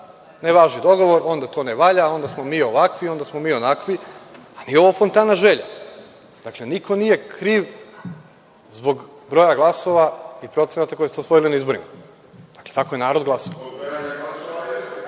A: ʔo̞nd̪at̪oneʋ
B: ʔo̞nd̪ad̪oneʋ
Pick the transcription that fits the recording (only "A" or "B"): A